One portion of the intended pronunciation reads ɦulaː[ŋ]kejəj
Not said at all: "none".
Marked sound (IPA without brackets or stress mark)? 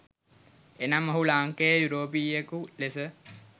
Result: ŋ